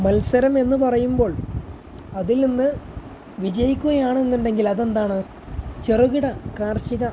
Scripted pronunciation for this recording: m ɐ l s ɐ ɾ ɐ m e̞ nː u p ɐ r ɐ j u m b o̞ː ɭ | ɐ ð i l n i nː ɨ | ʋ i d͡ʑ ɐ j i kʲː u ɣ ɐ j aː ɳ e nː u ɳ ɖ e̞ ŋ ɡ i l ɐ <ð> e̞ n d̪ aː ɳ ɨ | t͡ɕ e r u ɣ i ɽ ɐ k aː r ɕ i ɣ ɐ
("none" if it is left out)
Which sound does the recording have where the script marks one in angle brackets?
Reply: ð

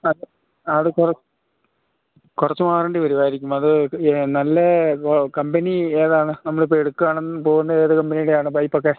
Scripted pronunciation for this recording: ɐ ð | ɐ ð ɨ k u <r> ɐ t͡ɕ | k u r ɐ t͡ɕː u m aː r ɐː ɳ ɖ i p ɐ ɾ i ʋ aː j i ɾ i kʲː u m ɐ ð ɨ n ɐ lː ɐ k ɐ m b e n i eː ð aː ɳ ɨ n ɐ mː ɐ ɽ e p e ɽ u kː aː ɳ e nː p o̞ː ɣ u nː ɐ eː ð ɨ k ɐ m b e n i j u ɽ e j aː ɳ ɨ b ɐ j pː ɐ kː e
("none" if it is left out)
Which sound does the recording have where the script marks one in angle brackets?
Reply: r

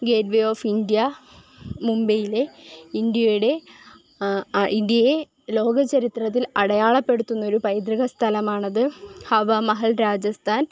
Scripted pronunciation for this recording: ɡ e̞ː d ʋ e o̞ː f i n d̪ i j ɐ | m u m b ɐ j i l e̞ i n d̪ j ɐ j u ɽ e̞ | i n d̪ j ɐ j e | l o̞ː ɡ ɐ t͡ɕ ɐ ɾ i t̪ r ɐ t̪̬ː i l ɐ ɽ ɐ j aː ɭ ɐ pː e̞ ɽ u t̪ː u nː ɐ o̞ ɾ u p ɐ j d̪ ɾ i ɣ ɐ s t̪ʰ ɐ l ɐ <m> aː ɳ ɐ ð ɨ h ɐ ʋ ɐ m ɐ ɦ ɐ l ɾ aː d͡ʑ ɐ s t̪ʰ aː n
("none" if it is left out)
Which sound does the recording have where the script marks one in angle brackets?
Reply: m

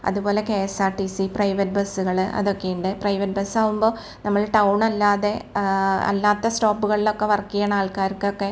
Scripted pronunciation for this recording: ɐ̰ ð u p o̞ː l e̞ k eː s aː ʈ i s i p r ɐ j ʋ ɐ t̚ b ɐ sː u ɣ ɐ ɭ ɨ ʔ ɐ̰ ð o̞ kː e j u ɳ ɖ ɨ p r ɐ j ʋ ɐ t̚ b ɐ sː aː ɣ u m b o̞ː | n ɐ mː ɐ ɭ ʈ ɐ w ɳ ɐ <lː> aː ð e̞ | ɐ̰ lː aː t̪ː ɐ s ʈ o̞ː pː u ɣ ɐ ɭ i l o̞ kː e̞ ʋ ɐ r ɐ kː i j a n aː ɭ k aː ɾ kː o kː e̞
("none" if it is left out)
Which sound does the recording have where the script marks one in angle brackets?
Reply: lː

